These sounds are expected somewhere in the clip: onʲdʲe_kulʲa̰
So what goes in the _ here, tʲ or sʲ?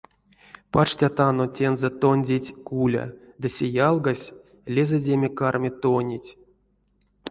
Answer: tʲ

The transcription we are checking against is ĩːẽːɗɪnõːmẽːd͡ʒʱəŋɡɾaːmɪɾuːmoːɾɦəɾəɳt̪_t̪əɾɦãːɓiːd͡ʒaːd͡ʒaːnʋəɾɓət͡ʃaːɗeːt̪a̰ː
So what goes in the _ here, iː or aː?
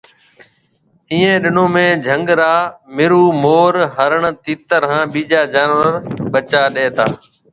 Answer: iː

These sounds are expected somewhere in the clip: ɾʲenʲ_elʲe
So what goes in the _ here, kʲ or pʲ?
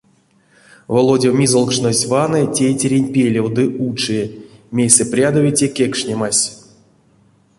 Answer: pʲ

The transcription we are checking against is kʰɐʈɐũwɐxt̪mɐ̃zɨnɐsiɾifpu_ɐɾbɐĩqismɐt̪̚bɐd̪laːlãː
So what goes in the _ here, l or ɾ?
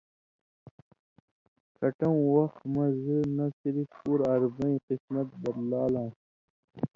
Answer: ɾ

